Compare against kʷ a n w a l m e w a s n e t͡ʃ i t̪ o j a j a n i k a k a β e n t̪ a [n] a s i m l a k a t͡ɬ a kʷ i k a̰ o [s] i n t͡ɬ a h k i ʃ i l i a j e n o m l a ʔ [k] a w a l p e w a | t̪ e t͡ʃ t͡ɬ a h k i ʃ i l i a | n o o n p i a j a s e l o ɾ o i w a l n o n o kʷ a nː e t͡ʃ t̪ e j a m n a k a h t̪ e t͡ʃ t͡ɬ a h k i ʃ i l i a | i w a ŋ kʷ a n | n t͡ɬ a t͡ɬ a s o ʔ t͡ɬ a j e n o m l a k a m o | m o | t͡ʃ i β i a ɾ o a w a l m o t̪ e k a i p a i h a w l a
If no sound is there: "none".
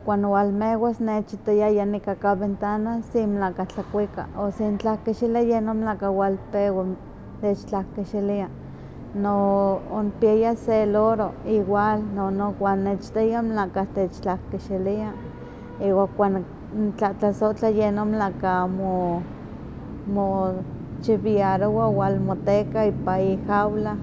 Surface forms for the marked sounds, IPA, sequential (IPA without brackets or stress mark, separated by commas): n, s, k